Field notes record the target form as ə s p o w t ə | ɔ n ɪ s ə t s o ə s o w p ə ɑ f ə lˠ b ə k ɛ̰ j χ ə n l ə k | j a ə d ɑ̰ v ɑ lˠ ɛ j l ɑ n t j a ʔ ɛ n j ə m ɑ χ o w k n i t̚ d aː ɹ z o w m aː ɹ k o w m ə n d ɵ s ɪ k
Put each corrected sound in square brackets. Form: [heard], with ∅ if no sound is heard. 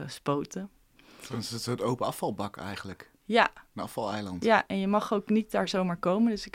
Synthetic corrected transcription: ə s p o w t ə | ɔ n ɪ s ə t s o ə [t] o w p ə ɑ f [ɑ] lˠ b [ɑ] k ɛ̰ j χ ə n l ə k | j a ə [n] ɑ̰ [f] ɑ lˠ ɛ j l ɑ n t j a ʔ ɛ n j ə m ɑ χ o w k n i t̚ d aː ɹ z o w m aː ɹ k o w m ə n d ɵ s ɪ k